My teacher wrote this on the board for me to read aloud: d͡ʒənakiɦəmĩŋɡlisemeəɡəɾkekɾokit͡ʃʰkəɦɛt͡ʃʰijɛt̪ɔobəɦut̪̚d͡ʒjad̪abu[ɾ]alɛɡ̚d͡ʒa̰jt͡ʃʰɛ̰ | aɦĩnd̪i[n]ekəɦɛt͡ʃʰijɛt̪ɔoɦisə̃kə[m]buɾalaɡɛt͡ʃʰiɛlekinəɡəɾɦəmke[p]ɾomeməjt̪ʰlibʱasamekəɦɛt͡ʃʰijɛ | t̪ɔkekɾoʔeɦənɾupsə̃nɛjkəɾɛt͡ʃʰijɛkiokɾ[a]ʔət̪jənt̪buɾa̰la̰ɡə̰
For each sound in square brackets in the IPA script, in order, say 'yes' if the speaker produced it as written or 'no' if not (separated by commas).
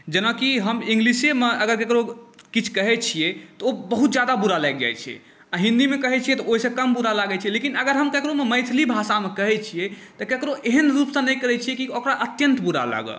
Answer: yes, no, yes, no, yes